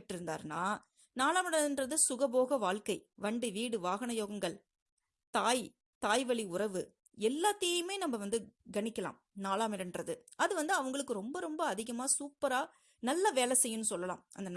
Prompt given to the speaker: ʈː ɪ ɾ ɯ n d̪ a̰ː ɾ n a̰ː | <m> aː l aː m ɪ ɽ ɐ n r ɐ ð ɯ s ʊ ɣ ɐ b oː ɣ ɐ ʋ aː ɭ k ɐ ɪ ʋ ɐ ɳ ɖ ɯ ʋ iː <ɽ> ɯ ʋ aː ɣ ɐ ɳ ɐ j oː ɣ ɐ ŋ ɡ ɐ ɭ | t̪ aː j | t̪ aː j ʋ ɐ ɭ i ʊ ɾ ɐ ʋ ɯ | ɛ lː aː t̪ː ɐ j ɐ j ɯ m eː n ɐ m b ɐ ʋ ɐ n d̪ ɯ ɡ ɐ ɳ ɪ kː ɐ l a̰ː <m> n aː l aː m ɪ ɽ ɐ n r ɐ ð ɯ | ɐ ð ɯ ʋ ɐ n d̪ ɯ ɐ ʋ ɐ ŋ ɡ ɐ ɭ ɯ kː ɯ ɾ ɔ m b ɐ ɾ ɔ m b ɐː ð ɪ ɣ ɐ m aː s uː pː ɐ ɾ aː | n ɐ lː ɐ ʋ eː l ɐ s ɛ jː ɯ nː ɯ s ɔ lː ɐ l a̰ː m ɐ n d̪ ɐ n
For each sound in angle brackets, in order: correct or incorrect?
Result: incorrect, correct, correct

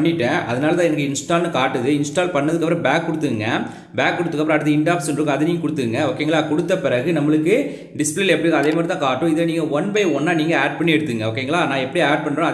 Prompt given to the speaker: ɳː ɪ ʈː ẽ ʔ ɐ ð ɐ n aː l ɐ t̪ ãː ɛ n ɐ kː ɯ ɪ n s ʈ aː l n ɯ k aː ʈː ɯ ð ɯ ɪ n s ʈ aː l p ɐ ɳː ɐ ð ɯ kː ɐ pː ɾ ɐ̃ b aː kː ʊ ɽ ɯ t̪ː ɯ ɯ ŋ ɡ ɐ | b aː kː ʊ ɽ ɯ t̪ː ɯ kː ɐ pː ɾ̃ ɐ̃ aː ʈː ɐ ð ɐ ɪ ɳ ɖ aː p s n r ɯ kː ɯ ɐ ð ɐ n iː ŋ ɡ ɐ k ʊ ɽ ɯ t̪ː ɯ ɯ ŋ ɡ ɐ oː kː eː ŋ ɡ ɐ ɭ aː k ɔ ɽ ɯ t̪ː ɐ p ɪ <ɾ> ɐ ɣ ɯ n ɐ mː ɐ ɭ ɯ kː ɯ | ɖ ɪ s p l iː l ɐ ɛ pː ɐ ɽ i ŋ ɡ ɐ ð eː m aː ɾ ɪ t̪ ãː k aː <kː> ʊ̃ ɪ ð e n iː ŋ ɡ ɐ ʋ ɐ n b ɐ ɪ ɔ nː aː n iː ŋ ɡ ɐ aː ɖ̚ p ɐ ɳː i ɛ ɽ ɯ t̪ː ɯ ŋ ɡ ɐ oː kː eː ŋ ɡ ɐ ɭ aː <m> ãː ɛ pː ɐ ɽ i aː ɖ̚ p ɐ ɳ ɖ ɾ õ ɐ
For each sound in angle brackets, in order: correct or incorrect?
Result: correct, incorrect, incorrect

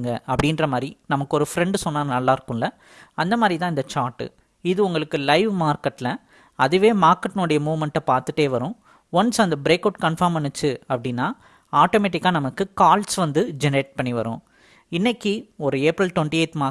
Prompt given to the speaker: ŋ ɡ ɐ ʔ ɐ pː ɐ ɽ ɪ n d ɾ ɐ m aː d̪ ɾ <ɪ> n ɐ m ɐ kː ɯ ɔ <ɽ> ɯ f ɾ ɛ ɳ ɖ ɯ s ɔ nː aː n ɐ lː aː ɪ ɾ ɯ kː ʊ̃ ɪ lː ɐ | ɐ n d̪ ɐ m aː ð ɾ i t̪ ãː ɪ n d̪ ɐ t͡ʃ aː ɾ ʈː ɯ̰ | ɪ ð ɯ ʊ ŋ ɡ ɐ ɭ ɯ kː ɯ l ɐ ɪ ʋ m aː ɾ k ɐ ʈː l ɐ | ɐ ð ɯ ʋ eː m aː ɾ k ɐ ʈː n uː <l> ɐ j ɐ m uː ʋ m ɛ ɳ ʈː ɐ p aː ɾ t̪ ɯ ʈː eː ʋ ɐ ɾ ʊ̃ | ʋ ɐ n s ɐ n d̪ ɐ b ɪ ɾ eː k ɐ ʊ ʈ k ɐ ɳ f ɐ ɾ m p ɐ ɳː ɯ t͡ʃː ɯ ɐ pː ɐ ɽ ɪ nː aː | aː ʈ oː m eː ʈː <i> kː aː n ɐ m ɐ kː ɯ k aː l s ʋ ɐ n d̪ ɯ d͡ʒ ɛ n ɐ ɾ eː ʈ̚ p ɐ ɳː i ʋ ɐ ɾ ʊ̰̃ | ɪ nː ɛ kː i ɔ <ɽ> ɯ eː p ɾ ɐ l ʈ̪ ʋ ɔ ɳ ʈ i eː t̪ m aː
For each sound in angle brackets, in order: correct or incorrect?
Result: incorrect, incorrect, incorrect, incorrect, incorrect

